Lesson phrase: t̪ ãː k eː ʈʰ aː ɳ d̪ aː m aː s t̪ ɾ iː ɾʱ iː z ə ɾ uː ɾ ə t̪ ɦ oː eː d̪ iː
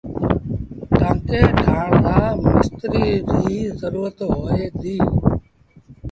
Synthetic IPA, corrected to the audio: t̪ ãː k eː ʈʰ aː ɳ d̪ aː m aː s t̪ ɾ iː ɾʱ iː z ə ɾ uː ɾ ə t̪ ɦ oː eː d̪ iː